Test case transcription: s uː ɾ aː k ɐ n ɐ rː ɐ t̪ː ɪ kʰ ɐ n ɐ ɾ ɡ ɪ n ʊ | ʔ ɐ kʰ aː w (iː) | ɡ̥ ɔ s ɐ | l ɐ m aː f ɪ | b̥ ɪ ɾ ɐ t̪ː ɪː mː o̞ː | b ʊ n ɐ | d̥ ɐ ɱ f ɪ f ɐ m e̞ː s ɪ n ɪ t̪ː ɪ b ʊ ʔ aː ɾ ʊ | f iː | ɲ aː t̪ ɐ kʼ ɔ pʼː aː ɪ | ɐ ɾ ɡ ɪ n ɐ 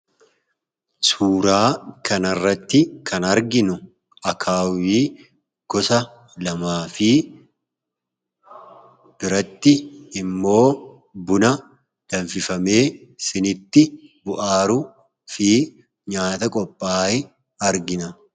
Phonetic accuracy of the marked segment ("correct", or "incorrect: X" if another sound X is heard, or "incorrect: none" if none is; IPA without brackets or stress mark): correct